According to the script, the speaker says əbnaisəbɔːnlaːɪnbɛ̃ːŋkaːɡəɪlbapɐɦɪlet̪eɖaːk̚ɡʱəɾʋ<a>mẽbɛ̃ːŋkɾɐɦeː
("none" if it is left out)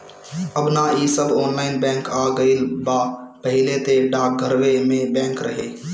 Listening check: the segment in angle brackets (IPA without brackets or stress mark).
e